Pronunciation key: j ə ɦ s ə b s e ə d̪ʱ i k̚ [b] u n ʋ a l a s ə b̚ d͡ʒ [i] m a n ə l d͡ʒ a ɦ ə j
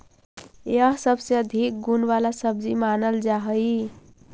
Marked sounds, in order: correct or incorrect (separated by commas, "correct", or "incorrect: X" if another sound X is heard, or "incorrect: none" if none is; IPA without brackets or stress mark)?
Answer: incorrect: ɡ, correct